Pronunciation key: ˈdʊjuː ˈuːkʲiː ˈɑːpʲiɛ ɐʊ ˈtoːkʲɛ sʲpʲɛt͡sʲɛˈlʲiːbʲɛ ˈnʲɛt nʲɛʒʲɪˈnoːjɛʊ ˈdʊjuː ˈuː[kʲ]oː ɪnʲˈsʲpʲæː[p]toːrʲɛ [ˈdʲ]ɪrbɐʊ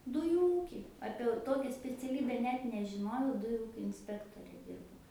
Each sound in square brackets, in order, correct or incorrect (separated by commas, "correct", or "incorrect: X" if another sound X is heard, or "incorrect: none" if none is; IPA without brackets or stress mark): correct, incorrect: k, correct